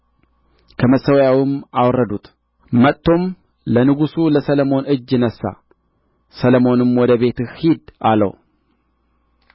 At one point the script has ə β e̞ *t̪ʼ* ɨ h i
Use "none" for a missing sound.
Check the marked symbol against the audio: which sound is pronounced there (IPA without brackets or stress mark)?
t̪